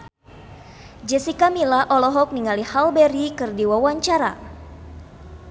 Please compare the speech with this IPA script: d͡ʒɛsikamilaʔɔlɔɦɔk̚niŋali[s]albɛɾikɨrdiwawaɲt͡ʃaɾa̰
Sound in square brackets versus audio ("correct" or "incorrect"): incorrect